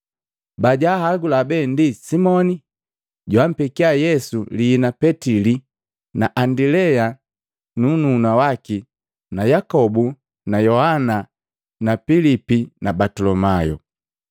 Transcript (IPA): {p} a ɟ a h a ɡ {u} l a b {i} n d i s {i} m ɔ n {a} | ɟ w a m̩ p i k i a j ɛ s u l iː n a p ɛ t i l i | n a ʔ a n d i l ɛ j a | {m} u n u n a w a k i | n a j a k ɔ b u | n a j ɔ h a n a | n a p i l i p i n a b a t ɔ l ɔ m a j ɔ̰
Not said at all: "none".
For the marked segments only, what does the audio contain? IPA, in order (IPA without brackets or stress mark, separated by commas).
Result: b, u, ɛ, i, i, n